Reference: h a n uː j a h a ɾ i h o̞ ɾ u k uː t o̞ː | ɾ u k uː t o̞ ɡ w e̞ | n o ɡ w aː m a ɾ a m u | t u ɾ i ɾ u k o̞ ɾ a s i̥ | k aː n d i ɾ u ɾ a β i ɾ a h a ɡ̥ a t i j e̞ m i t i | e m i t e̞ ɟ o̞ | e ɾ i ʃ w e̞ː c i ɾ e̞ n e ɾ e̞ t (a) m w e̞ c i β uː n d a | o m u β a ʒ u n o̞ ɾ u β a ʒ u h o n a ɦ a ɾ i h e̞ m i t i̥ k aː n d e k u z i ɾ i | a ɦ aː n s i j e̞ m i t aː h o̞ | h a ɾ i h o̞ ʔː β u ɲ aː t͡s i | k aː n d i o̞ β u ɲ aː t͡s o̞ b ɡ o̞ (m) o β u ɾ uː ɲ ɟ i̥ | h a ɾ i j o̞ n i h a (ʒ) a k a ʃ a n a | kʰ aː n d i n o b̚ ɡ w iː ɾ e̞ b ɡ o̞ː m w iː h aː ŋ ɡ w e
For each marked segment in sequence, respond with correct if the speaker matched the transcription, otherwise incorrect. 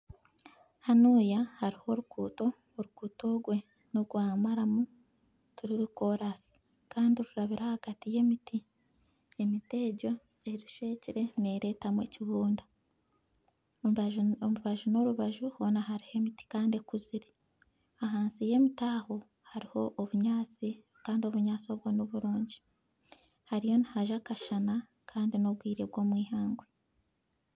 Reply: correct, incorrect: n, correct

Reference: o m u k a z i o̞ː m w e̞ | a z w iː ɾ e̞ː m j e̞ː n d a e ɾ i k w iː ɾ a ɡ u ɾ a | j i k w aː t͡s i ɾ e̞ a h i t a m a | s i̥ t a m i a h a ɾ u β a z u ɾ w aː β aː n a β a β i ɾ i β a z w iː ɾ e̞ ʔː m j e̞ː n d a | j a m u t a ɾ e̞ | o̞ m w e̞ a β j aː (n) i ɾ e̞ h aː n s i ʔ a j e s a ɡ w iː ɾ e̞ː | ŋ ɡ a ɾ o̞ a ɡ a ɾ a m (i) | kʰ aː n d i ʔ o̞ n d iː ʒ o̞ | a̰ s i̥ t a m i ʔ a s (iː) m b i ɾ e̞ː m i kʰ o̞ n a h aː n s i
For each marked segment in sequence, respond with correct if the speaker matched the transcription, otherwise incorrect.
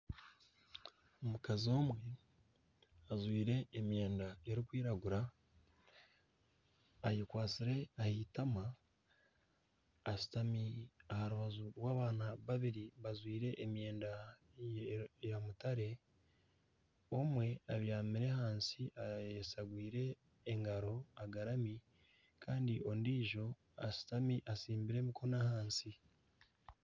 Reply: incorrect: m, correct, correct

